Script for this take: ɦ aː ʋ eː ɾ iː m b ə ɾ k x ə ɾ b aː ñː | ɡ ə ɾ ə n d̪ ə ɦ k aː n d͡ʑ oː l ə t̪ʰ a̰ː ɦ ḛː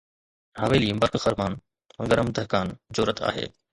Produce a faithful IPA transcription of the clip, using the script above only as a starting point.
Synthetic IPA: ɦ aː ʋ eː l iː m b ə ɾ k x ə ɾ m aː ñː | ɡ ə ɾ ə m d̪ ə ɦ k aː n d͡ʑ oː ɾ ə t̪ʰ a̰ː ɦ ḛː

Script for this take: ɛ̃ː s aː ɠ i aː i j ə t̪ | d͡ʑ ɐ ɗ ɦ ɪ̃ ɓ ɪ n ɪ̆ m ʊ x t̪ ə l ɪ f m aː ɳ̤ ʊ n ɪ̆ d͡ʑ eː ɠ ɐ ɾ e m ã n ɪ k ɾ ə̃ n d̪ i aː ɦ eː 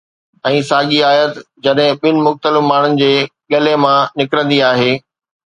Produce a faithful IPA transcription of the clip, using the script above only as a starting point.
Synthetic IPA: ɛ̃ː s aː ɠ i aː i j ə t̪ | d͡ʑ ɐ ɗ ɦ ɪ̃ ɓ ɪ n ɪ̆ m ʊ x t̪ ə l ɪ f m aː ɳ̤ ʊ n ɪ̆ d͡ʑ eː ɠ ɐ l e m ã n ɪ k ɾ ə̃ n d̪ i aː ɦ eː

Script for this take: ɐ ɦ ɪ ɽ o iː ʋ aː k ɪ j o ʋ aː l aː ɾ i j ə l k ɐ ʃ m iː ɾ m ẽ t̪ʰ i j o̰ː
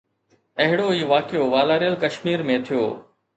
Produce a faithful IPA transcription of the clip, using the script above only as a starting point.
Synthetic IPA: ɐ ɦ ɪ ɽ o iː ʋ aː k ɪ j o ʋ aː l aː ɾ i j ə l k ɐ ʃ m iː ɾ m ẽ t̪ʰ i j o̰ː

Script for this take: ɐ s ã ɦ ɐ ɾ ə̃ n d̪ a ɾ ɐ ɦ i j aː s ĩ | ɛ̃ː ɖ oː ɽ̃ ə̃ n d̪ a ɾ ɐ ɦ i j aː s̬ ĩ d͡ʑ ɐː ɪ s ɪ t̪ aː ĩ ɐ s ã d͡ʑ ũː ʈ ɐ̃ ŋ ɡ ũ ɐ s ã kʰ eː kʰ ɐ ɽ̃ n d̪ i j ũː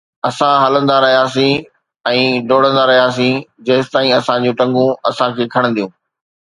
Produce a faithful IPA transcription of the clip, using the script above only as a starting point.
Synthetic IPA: ɐ s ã ɦ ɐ l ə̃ n d̪ a ɾ ɐ ɦ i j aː s ĩ | ɛ̃ː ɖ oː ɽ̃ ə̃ n d̪ a ɾ ɐ ɦ i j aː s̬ ĩ d͡ʑ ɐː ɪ s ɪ t̪ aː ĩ ɐ s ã d͡ʑ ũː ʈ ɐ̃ ŋ ɡ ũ ɐ s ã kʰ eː kʰ ɐ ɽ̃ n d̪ i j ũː

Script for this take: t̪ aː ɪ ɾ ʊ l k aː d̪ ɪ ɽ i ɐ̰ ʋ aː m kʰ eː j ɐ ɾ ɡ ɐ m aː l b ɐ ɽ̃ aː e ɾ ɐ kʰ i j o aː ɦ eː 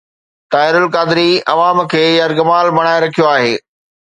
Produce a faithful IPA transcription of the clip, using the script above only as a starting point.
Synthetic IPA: t̪ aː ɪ ɾ ʊ l k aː d̪ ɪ ɾ i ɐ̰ ʋ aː m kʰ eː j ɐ ɾ ɡ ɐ m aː l b ɐ ɽ̃ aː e ɾ ɐ kʰ i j o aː ɦ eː

